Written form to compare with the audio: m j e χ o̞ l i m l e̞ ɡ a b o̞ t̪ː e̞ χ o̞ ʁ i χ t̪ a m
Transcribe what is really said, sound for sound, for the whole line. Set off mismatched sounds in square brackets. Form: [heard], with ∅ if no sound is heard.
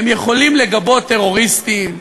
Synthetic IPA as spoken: m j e χ o̞ l i m l e̞ ɡ a b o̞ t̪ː e̞ [ʁ] o̞ ʁ i [s] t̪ [i] m